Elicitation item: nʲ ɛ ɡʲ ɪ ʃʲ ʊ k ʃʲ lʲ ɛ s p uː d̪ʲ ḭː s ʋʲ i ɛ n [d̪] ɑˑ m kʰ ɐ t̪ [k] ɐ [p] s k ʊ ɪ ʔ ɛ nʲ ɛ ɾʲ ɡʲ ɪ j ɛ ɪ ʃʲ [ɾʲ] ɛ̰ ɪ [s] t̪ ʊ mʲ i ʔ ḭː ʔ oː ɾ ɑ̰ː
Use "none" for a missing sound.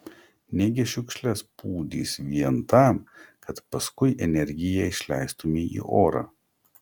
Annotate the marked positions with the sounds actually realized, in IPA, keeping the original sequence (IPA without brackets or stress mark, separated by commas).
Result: t̪, p, none, lʲ, s